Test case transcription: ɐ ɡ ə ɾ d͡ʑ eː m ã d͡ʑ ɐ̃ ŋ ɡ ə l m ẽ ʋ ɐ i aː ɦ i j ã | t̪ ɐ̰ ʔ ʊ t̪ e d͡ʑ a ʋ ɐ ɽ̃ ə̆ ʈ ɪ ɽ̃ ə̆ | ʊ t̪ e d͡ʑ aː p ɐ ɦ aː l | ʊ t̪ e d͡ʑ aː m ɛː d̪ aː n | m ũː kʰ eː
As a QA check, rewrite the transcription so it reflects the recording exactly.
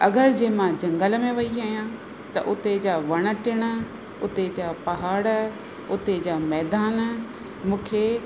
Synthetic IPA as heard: ɐ ɡ ə ɾ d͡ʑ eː m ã d͡ʑ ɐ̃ ŋ ɡ ə l m ẽ ʋ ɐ i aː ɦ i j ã | t̪ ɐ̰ ʔ ʊ t̪ e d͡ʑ a ʋ ɐ ɽ̃ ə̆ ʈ ɪ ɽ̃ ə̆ | ʊ t̪ e d͡ʑ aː p ɐ ɦ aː ɽ | ʊ t̪ e d͡ʑ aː m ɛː d̪ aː n | m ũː kʰ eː